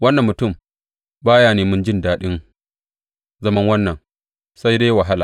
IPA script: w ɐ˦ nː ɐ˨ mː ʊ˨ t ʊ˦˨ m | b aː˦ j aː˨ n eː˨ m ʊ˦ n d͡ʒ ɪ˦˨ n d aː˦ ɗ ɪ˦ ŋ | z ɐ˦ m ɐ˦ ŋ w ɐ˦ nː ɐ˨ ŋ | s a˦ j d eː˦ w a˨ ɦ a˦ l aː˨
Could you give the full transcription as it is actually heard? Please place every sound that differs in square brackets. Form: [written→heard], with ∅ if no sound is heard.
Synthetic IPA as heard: w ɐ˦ nː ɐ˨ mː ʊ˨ t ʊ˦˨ m | b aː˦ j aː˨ n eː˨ m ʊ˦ n d͡ʒ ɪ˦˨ n d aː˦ ɗ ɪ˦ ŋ | z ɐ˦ m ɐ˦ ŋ w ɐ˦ nː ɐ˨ ŋ | s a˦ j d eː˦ w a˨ ɦ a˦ l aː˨